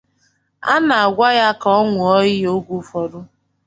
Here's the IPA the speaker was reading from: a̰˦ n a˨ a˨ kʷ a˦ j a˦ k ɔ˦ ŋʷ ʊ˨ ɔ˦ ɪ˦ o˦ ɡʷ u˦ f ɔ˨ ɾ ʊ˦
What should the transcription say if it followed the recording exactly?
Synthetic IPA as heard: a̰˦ n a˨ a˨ ɡʷ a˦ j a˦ k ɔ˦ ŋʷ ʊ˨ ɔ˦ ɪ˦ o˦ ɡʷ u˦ f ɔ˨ ɾ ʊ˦